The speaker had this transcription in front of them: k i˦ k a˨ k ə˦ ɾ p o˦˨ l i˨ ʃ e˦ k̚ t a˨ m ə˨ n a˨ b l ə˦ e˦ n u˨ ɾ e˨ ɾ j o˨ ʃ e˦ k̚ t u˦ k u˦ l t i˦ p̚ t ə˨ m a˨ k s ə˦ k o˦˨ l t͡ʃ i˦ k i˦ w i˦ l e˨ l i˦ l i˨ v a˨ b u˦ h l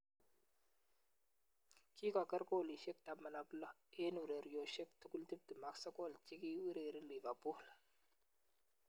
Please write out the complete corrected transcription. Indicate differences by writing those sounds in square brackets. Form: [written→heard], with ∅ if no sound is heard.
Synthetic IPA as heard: k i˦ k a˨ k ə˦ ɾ [p→k] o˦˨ l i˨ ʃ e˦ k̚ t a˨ m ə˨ n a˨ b l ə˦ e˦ n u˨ ɾ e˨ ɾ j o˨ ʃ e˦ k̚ t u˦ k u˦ l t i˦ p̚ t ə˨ m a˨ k s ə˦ k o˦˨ l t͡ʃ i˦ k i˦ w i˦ [l→ɾ] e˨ [l→ɾ] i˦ l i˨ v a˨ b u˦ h l